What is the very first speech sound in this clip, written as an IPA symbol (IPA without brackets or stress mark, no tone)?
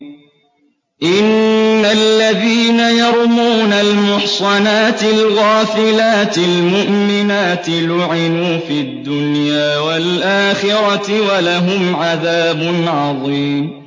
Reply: ʔ